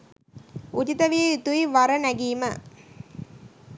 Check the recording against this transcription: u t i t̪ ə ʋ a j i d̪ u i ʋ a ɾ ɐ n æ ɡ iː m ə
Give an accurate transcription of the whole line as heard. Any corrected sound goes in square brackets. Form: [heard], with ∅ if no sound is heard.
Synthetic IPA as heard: u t i t̪ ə ʋ [i] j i [t̪] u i ʋ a ɾ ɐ n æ ɡ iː m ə